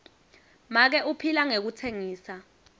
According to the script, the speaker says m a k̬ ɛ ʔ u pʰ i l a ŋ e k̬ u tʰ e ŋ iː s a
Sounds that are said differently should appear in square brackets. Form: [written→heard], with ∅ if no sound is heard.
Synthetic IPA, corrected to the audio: m a k̬ ɛ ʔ u pʰ i l a ŋ e k̬ u tʰ e ŋ iː s a